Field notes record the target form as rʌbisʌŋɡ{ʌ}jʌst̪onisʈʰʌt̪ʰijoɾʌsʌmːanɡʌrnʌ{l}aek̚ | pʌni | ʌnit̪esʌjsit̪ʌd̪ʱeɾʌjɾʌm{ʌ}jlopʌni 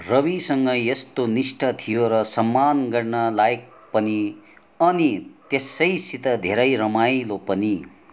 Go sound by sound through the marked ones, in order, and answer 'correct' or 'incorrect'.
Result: correct, correct, incorrect: a

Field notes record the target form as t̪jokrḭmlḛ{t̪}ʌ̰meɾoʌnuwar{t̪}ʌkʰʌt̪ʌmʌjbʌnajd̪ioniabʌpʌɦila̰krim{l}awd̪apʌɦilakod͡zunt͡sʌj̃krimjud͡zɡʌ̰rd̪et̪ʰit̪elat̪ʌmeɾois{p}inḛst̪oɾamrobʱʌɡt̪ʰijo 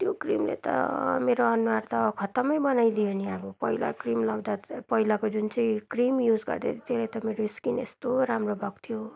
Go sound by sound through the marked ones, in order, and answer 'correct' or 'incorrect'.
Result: correct, correct, correct, incorrect: k

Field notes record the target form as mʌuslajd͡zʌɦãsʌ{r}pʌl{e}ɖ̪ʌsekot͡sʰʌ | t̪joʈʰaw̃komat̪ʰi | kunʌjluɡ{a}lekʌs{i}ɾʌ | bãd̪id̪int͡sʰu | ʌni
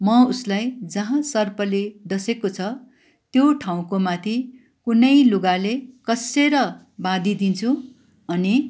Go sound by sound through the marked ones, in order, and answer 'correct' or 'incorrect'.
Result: correct, correct, correct, incorrect: e

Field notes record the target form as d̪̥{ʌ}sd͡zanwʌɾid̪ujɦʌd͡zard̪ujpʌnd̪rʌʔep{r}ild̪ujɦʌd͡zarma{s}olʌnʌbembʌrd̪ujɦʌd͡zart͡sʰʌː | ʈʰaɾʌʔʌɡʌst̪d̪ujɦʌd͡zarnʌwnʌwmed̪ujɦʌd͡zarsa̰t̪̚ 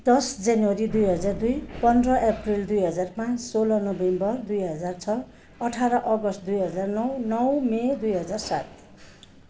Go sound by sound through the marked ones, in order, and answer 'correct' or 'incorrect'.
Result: correct, correct, correct

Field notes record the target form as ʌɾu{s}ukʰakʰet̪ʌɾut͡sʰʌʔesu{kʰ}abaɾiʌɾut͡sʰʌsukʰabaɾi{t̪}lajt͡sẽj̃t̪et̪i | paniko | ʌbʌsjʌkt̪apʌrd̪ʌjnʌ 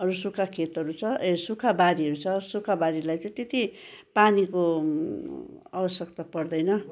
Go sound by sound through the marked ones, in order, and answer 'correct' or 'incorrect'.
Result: correct, correct, incorrect: none

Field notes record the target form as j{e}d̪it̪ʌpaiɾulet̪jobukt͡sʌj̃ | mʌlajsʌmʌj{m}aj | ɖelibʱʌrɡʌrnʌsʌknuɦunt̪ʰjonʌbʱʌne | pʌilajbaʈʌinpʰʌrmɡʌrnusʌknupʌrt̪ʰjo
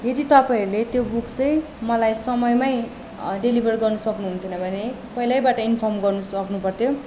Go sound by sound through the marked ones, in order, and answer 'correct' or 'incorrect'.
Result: correct, correct

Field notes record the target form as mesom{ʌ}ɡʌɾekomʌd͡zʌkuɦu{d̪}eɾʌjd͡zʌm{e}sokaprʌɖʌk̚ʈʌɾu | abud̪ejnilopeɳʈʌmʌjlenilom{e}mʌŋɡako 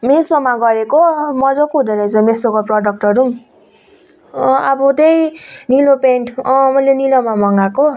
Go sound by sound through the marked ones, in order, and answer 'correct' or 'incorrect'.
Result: incorrect: a, correct, correct, incorrect: a

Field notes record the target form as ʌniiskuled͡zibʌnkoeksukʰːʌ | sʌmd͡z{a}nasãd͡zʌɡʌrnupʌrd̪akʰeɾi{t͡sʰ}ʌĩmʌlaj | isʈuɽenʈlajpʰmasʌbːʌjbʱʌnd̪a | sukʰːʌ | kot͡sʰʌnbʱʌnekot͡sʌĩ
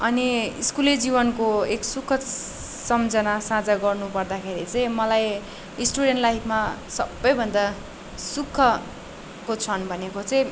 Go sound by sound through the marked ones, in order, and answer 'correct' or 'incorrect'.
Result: incorrect: ʌ, incorrect: t͡s

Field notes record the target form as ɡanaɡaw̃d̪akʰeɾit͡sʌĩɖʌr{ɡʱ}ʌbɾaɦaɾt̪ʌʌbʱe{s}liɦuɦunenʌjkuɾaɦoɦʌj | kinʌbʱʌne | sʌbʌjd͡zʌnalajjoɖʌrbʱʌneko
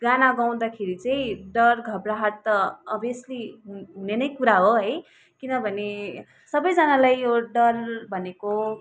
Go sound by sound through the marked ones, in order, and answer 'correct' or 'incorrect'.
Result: correct, correct

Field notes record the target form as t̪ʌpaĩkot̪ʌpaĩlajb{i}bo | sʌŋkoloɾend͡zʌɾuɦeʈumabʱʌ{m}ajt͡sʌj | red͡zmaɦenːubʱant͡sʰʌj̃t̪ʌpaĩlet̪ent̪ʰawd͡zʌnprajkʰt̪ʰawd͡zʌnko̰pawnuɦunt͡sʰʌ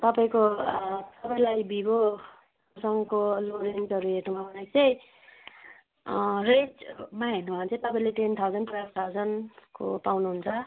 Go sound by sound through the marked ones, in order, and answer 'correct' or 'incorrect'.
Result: correct, incorrect: n

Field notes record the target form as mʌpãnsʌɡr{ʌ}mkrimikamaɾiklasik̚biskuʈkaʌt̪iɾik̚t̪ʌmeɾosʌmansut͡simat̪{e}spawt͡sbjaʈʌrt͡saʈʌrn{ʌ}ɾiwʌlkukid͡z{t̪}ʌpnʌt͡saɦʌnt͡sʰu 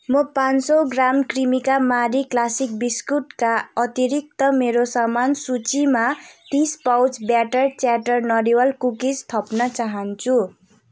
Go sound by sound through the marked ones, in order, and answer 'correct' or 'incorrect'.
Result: incorrect: a, incorrect: i, correct, incorrect: t̪ʰ

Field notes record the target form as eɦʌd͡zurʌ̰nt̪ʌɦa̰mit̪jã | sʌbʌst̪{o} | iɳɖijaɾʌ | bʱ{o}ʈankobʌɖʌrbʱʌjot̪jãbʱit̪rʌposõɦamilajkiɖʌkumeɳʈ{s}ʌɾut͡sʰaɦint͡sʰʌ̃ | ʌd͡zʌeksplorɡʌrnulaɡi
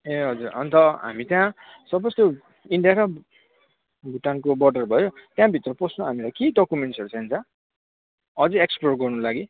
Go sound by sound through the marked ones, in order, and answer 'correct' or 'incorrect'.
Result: correct, incorrect: u, correct

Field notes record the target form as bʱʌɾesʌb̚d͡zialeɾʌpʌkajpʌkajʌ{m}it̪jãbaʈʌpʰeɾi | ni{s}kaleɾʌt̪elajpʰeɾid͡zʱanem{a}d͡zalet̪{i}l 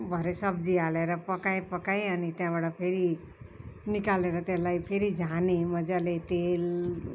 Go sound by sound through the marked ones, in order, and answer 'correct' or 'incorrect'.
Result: incorrect: n, incorrect: none, incorrect: ʌ, incorrect: e

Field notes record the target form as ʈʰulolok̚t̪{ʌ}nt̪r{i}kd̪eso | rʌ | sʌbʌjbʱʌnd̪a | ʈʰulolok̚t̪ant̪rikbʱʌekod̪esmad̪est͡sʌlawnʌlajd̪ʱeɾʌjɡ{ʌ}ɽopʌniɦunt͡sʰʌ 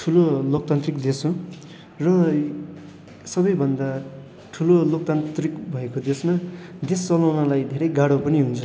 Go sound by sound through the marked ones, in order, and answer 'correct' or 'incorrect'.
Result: incorrect: a, correct, incorrect: a

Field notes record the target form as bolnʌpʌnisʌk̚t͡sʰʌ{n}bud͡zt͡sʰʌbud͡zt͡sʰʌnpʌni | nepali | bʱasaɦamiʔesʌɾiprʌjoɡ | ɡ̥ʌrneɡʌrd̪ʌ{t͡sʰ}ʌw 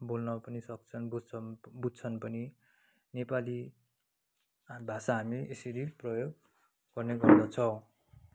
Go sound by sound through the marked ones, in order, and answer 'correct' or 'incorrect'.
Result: correct, correct

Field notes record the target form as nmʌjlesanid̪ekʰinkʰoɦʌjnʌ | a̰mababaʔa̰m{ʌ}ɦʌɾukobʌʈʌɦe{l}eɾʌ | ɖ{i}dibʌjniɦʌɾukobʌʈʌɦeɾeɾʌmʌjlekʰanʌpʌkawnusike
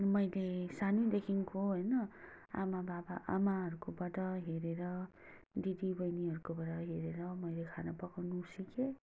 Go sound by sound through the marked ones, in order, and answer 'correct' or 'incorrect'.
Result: incorrect: a, incorrect: ɾ, correct

